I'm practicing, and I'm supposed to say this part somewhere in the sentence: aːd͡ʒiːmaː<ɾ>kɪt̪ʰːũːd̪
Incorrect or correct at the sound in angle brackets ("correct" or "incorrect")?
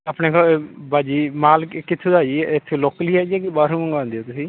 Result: incorrect